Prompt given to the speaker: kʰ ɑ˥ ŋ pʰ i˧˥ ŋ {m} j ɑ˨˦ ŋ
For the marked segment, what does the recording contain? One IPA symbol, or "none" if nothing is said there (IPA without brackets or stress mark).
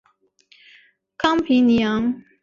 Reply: n